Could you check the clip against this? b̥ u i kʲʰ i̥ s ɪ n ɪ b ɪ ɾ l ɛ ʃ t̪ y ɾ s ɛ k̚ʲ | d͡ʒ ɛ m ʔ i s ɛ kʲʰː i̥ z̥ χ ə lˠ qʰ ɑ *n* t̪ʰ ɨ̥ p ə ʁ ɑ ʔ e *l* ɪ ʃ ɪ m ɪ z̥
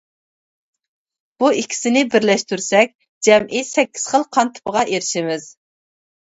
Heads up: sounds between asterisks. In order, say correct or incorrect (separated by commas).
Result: correct, incorrect